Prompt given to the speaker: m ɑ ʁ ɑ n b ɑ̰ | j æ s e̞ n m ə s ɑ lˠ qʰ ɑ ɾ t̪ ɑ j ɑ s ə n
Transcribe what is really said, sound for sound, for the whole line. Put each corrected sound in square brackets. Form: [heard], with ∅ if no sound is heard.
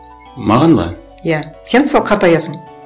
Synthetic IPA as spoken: m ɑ ʁ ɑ n b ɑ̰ | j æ s e̞ n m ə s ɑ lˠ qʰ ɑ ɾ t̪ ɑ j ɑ s ə [ɴ]